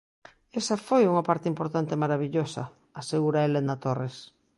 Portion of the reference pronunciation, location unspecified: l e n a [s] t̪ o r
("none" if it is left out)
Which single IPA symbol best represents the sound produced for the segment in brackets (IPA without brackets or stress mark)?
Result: none